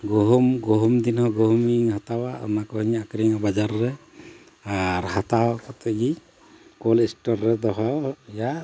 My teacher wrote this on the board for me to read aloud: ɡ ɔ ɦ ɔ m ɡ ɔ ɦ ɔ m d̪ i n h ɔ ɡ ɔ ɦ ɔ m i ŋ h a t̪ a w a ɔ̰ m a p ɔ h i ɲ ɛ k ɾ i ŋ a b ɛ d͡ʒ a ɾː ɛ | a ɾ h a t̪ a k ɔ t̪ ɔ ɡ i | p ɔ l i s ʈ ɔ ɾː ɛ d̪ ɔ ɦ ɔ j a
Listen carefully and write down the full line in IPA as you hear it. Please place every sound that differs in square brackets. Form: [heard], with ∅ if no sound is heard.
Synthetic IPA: ɡ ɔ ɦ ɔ m ɡ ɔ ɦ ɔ m d̪ i n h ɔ ɡ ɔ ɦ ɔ m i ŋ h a t̪ a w a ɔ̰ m a [k] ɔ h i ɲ [a] k ɾ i ŋ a b [a] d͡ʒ a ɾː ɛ | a ɾ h a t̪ a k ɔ t̪ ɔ ɡ i | [k] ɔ l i s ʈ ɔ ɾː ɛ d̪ ɔ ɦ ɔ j a